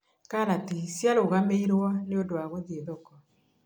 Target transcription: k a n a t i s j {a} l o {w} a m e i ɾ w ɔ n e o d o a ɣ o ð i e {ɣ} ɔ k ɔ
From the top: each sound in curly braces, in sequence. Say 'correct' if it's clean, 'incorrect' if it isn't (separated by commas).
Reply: correct, incorrect, incorrect